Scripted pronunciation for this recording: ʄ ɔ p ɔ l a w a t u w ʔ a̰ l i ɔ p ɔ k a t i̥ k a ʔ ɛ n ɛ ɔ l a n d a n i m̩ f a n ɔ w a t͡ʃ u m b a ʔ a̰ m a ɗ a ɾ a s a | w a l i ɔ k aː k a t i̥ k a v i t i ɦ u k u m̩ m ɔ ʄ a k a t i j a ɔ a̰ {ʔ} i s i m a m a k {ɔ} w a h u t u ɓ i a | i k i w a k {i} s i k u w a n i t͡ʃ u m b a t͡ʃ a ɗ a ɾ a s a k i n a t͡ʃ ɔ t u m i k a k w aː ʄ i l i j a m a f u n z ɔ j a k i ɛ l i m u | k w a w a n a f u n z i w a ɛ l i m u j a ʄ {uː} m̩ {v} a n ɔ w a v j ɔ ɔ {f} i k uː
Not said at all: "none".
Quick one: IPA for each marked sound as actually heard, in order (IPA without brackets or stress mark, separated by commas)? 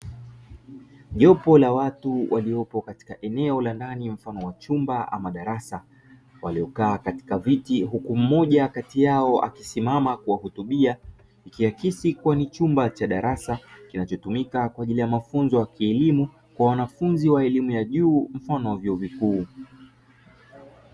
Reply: k, u, i, uː, f, v